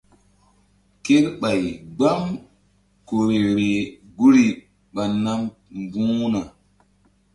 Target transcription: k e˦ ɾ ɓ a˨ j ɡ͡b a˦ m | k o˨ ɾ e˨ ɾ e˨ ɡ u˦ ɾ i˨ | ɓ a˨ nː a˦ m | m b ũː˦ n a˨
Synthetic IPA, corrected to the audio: k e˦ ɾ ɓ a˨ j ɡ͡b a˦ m | k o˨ ɾ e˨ ɾ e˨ ɡ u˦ ɾ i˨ | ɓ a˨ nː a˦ m | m b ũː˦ n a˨